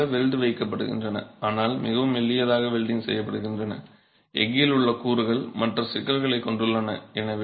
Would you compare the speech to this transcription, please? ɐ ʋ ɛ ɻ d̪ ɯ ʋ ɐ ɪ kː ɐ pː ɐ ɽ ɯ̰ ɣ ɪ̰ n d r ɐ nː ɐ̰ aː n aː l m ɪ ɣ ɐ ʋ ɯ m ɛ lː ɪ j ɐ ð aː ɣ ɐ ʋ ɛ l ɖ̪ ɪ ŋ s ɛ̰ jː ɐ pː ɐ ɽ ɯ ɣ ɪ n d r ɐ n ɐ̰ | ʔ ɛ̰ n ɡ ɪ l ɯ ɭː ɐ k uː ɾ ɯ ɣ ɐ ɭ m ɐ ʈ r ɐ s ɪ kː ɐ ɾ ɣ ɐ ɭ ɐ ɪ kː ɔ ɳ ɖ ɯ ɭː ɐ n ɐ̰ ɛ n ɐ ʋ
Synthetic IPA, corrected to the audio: ɐ ʋ ɛ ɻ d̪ ɯ ʋ ɐ ɪ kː ɐ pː ɐ ɽ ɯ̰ ɣ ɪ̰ n d r ɐ n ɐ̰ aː n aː l m ɪ ɣ ɐ ʋ ɯ m ɛ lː ɪ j ɐ ð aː ɣ ɐ ʋ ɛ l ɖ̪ ɪ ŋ s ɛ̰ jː ɐ pː ɐ ɽ ɯ ɣ ɪ n d r ɐ n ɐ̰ | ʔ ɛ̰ ŋ ɡ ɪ l ɯ ɭː ɐ k uː ɾ ɯ ɣ ɐ ɭ m ɐ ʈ r ɐ s ɪ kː ɐ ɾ ɣ ɐ ɭ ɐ ɪ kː ɔ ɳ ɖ ɯ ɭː ɐ n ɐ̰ ɛ n ɐ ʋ